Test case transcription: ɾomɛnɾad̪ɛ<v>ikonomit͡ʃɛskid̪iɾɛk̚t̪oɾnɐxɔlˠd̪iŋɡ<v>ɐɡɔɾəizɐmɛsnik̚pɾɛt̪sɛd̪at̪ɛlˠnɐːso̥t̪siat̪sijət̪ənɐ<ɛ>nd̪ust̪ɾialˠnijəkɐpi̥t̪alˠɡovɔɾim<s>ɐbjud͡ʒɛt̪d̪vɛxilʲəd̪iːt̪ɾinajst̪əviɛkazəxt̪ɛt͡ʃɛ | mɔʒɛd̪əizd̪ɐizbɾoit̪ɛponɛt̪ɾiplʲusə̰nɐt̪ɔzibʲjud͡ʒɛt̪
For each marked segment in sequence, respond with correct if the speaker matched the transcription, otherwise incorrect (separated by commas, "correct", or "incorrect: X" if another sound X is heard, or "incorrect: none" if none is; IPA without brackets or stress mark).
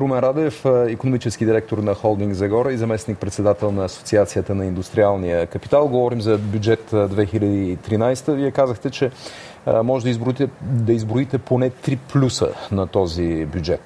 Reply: incorrect: f, incorrect: z, incorrect: i, incorrect: z